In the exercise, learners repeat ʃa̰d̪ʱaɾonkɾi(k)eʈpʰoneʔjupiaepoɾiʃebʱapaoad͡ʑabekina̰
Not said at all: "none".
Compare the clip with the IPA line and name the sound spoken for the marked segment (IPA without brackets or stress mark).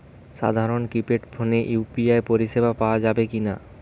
p